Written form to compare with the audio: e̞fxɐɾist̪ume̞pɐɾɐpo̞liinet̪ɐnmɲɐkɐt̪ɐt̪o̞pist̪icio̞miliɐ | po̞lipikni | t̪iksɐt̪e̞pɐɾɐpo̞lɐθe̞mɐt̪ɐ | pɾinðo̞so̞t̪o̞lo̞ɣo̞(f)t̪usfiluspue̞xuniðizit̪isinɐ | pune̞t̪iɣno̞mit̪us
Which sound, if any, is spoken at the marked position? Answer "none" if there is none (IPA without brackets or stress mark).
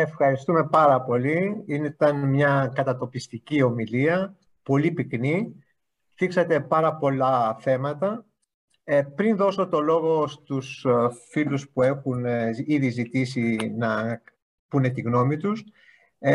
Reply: s